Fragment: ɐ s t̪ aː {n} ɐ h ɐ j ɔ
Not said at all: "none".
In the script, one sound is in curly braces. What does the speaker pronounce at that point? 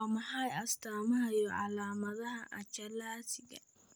m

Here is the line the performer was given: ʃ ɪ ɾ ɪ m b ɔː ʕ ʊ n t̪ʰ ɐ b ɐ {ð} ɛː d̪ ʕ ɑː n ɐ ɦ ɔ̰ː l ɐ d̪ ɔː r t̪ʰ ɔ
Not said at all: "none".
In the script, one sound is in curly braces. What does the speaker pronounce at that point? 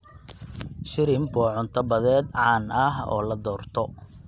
ð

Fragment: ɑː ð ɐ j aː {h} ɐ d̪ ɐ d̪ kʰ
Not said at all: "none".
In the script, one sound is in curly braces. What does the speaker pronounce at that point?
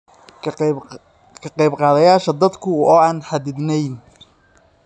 ʃ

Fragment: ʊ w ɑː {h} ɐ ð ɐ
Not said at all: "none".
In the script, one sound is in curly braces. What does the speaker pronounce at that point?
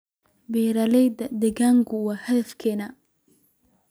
h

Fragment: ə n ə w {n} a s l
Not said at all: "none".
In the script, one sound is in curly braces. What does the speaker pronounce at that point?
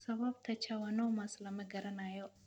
m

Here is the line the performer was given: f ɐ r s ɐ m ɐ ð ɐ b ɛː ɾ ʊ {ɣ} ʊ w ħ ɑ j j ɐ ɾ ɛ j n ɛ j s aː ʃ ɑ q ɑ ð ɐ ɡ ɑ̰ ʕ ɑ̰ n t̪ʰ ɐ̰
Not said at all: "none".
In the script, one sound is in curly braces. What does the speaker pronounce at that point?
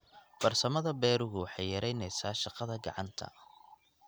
ɣ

